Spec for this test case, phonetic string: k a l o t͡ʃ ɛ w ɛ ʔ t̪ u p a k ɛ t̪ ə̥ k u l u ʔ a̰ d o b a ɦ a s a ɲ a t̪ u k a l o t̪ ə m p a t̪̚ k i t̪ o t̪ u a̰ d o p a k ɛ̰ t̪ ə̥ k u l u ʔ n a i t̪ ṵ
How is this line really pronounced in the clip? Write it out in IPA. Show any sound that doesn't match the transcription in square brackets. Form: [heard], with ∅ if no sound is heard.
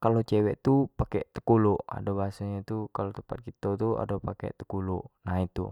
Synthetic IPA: k a l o t͡ʃ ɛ w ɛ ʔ t̪ u p a k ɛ t̪ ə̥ k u l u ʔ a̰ d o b a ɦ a s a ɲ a t̪ u k a l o t̪ ə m p a t̪̚ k i t̪ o t̪ u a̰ d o p a k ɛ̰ t̪ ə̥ k u l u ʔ n a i t̪ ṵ